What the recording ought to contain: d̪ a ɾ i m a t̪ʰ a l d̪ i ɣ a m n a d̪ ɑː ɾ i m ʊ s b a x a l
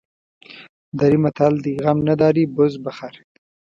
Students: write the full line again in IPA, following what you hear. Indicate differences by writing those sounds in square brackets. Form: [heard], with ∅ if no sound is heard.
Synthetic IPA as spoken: d̪ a ɾ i m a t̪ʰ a l d̪ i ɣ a m n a d̪ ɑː ɾ i [b] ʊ [z] b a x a [ɾ]